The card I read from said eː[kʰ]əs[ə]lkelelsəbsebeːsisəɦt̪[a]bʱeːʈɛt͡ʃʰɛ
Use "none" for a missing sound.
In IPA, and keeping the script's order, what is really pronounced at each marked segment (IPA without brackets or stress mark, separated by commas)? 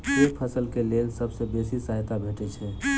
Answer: pʰ, ə, a